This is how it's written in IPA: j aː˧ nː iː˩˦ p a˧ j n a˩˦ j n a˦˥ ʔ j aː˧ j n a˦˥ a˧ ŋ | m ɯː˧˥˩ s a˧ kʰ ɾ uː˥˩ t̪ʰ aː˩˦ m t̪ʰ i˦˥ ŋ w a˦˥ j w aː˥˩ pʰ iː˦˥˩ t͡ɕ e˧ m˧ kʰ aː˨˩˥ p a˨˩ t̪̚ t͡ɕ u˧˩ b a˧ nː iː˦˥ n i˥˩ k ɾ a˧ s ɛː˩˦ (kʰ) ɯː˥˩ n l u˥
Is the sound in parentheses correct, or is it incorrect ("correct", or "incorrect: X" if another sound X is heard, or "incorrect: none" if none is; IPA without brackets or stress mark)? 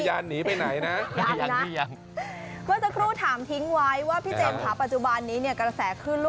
correct